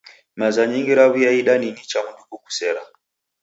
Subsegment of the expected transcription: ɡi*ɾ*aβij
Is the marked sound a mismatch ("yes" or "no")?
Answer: no